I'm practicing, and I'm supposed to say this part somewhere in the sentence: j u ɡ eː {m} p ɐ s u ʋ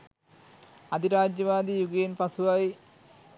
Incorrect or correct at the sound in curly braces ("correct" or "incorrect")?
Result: incorrect